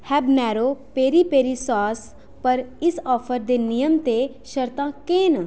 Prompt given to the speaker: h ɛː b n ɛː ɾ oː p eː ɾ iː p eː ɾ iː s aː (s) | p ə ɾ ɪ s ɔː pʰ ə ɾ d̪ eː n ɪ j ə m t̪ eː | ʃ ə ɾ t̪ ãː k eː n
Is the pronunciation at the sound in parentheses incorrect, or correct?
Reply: correct